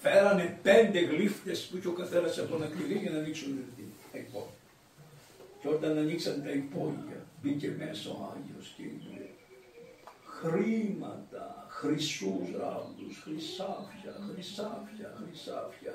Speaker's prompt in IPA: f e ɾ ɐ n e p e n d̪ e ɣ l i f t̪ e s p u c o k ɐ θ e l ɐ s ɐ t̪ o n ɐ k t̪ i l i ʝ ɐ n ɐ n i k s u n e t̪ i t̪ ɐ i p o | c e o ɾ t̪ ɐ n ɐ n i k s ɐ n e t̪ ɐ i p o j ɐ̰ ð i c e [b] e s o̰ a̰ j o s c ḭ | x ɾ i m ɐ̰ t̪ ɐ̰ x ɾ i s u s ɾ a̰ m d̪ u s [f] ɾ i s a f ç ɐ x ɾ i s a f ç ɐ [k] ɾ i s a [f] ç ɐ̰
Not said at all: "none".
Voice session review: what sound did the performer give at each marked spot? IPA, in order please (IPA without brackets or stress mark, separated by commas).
m, x, x, f